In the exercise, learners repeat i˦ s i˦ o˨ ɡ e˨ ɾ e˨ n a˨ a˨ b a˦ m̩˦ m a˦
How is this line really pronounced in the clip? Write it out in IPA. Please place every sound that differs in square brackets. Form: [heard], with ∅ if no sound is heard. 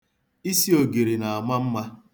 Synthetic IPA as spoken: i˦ s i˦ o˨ ɡ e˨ ɾ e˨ n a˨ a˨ [m] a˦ m̩˦ m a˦